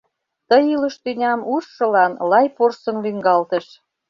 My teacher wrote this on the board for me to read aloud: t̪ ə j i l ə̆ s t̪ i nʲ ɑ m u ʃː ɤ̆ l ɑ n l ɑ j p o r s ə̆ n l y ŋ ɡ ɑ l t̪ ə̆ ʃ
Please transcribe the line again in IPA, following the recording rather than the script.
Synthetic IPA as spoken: t̪ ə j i l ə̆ ʃ t̪ y nʲ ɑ m u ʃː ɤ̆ l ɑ n l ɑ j p o r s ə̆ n l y ŋ ɡ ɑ l t̪ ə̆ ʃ